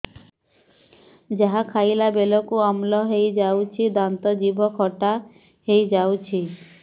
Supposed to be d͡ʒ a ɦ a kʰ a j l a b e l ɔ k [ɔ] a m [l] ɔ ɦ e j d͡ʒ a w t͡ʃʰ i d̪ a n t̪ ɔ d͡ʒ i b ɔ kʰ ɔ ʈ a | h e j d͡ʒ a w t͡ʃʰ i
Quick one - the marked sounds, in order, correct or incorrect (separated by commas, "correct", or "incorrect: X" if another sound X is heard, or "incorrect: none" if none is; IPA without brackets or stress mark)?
incorrect: u, correct